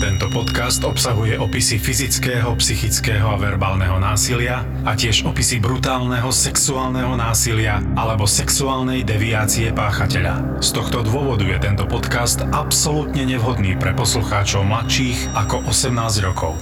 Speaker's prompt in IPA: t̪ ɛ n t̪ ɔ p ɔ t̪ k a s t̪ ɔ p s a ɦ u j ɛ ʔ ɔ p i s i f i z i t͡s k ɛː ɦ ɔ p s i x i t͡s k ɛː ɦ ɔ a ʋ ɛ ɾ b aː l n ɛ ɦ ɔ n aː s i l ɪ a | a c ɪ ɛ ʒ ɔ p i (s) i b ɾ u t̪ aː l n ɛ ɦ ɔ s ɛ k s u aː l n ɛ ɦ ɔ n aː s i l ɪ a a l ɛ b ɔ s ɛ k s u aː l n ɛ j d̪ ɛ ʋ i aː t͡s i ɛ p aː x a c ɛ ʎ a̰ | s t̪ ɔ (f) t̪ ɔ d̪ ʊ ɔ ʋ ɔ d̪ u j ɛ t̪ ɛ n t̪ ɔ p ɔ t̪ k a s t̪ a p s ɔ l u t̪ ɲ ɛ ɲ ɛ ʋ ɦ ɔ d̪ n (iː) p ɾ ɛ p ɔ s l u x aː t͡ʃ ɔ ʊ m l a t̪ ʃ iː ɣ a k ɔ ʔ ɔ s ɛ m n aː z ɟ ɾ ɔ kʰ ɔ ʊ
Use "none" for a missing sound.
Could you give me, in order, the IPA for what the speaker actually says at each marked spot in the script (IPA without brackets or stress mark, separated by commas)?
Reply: s, x, iː